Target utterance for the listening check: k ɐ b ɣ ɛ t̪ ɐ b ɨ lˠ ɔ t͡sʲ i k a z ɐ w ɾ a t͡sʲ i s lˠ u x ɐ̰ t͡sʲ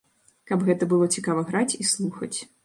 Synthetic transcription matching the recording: k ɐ b ɣ ɛ t̪ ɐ b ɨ lˠ ɔ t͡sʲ i k a v ɐ ɣ ɾ a t͡sʲ i s lˠ u x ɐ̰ t͡sʲ